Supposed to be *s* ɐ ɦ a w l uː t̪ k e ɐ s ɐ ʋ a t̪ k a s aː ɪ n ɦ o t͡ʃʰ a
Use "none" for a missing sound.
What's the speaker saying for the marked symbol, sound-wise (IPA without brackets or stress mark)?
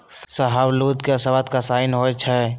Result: s